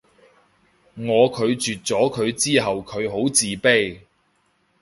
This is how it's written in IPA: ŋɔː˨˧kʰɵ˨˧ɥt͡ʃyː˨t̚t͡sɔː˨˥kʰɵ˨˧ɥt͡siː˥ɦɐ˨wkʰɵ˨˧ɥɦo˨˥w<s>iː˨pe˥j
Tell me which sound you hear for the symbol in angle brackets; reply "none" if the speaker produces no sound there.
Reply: t͡s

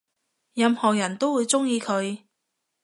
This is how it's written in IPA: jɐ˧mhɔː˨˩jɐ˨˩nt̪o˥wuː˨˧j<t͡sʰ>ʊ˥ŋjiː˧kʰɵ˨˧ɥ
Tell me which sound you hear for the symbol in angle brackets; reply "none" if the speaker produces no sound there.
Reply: t͡s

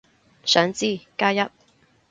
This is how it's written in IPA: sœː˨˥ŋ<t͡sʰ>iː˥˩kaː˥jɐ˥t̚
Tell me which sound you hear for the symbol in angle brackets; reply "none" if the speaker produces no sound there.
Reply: t͡s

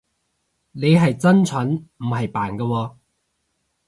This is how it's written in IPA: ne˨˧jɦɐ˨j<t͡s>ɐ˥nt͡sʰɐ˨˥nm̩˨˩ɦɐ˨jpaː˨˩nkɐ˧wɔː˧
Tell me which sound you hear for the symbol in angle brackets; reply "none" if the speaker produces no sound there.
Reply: t͡s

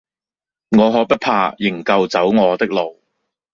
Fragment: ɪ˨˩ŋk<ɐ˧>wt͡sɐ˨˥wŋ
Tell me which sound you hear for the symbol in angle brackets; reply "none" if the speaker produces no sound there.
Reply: ɐ˧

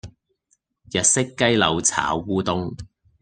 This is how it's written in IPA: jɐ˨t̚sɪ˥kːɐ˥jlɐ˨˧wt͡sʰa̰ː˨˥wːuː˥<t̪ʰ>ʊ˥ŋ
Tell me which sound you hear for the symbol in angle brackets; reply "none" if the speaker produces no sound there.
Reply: t̪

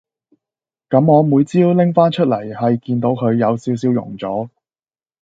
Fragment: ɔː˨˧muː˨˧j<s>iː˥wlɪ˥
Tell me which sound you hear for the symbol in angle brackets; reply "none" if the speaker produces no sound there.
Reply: t͡s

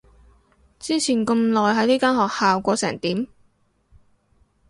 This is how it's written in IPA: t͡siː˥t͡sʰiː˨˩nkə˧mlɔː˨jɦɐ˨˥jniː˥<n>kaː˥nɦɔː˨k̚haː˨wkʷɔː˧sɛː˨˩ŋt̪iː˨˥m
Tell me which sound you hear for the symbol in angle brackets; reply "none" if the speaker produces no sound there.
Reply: none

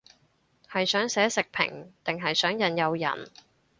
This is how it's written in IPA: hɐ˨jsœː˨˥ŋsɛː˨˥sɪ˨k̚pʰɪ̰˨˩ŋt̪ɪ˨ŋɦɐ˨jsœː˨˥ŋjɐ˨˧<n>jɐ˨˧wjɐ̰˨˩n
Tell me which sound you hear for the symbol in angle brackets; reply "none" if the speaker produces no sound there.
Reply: n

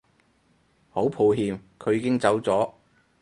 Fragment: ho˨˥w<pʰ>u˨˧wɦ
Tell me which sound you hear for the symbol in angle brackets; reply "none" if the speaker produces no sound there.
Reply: pʰ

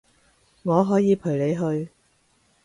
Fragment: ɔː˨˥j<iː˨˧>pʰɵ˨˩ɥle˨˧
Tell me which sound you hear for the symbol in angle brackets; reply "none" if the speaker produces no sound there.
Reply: iː˨˧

